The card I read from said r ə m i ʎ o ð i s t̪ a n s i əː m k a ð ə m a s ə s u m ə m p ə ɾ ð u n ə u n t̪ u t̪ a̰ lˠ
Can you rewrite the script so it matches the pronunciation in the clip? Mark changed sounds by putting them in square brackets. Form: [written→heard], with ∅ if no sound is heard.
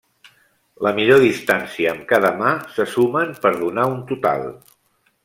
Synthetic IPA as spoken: [r→l] ə m i ʎ o ð i s t̪ a n s i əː m k a ð ə m a s ə s u m ə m p ə ɾ ð u n [ə→a] u n t̪ u t̪ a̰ lˠ